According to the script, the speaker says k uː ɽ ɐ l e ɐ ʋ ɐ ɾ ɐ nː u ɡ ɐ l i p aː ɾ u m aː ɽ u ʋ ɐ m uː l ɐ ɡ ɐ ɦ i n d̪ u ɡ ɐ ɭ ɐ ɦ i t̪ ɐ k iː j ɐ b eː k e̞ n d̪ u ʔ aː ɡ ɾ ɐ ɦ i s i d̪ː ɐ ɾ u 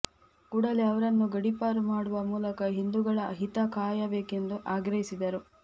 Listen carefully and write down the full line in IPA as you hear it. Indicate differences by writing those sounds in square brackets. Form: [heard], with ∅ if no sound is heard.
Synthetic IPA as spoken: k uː ɽ ɐ l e ɐ ʋ ɐ ɾ ɐ nː u ɡ ɐ [ɽ] i p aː ɾ u m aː ɽ u ʋ ɐ m uː l ɐ [k] ɐ ɦ i n d̪ u ɡ ɐ ɭ ɐ ɦ i t̪ ɐ k [aː] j ɐ b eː k e̞ n d̪ u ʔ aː ɡ ɾ ɐ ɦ i s i [d̪] ɐ ɾ u